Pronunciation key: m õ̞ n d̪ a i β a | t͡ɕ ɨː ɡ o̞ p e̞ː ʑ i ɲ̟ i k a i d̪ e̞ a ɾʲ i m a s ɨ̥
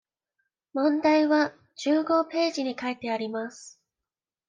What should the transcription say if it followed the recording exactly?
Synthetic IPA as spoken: m õ̞ n d̪ a i β a | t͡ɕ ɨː ɡ o̞ p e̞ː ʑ i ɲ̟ i k a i t̪ e̞ a ɾʲ i m a s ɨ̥